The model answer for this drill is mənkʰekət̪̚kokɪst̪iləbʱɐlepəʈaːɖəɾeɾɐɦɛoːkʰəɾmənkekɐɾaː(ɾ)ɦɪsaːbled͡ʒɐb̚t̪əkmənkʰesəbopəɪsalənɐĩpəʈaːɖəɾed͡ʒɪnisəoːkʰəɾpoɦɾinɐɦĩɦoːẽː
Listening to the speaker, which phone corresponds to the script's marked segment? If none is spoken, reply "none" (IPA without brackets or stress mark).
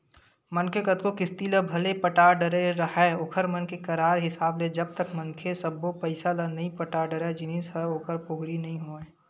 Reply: ɾ